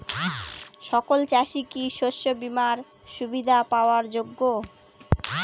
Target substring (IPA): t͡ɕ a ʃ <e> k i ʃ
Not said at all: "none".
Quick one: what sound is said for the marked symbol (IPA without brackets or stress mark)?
i